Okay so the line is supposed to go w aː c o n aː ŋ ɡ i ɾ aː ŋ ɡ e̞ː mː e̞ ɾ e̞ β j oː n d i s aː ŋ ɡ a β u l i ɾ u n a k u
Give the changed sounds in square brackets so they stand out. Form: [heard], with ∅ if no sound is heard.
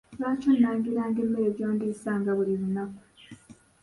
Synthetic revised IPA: [β] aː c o n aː ŋ ɡ i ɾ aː ŋ ɡ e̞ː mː e̞ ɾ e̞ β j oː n d i s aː ŋ ɡ a β u l i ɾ u n a k u